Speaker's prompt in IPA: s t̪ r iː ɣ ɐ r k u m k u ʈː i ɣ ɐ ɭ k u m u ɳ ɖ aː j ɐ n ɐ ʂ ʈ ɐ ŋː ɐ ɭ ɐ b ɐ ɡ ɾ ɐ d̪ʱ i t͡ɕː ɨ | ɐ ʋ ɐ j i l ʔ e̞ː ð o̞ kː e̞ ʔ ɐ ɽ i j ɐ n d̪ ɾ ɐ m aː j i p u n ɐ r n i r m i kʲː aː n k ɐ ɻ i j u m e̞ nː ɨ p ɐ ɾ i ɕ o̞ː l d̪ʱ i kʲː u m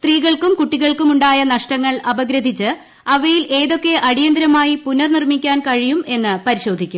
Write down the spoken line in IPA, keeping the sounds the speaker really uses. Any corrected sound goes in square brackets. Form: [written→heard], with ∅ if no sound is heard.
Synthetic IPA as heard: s t̪ r iː ɣ ɐ [r→ɭ] k u m k u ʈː i ɣ ɐ ɭ k u m u ɳ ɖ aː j ɐ n ɐ ʂ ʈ ɐ ŋː ɐ ɭ ɐ b ɐ ɡ ɾ ɐ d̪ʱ i t͡ɕː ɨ | ɐ ʋ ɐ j i l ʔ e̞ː ð o̞ kː e̞ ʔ ɐ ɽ i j ɐ n d̪ ɾ ɐ m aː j i p u n ɐ r n i r m i kʲː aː n k ɐ ɻ i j u m e̞ nː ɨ p ɐ ɾ i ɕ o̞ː [l→∅] d̪ʱ i kʲː u m